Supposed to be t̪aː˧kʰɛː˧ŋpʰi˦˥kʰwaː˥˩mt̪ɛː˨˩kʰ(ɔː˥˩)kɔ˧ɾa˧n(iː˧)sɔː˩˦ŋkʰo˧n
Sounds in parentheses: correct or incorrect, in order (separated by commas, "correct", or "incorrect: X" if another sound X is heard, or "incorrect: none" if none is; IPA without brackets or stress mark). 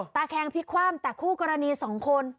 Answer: incorrect: uː˥˩, correct